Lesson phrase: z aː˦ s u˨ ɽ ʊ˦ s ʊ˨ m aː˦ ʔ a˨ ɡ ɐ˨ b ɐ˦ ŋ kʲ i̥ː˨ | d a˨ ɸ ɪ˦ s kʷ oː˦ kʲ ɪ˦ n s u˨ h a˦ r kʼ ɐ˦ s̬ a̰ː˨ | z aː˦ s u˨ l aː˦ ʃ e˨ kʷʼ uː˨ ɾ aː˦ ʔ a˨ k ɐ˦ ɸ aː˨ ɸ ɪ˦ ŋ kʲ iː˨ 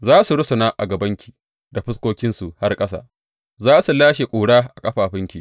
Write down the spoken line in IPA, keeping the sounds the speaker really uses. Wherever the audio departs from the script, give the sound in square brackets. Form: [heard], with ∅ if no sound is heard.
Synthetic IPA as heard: z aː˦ s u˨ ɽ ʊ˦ s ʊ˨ [n] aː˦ ʔ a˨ ɡ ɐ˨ b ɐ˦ ŋ kʲ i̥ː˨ | d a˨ ɸ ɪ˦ s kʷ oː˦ kʲ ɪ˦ n s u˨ h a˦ r kʼ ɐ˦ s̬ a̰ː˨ | z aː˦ s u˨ l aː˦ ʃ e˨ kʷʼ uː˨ [ɽ] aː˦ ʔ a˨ [kʼ] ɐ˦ ɸ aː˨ ɸ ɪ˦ ŋ kʲ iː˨